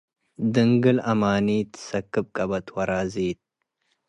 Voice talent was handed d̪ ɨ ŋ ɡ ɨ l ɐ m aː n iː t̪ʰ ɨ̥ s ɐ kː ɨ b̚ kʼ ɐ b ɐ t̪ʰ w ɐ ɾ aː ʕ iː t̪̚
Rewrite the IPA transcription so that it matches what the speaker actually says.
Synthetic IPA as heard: d̪ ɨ ŋ ɡ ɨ l ɐ m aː n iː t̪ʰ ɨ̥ s ɐ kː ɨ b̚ kʼ ɐ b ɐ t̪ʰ w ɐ ɾ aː z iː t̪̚